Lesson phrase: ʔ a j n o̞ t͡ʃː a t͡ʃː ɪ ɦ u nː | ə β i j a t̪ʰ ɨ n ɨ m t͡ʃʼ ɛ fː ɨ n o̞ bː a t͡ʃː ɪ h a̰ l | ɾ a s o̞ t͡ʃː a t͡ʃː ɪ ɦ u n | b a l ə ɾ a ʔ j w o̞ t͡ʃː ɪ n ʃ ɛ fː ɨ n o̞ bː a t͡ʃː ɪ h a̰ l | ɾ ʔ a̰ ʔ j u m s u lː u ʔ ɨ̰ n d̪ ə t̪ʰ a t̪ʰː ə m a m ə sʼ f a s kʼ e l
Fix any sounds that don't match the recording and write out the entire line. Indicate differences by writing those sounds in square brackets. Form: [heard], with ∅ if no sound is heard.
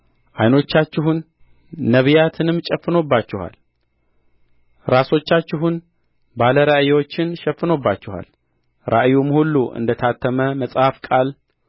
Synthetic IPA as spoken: ʔ a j n o̞ t͡ʃː a t͡ʃː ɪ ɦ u nː | ə β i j a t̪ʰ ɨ n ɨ m t͡ʃʼ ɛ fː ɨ n o̞ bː a t͡ʃː ɪ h a̰ l | ɾ a s o̞ t͡ʃː a t͡ʃː ɪ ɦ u n | b a l ə ɾ a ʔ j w o̞ t͡ʃː ɪ n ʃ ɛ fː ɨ n o̞ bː a t͡ʃː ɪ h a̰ l | ɾ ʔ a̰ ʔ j u m [h] u lː u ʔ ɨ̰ n d̪ ə t̪ʰ a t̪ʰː ə m [ə] m ə sʼ [h] a [f] kʼ [a] l